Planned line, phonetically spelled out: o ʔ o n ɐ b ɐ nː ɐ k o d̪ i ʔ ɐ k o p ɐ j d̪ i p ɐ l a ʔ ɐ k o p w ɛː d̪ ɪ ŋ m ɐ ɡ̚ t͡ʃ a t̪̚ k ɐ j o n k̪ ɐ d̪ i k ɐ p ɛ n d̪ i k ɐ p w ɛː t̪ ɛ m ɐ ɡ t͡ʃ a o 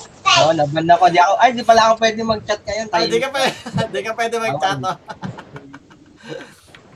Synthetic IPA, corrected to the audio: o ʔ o n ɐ b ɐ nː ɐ k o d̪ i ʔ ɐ k o ʔ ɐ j d̪ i p ɐ l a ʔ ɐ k o p w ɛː d̪ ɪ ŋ m ɐ ɡ̚ t͡ʃ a t̪̚ k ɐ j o n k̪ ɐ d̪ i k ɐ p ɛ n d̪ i k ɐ p w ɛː d̪ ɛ m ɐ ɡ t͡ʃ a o